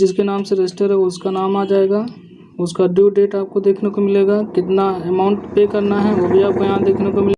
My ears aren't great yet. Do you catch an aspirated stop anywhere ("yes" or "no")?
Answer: yes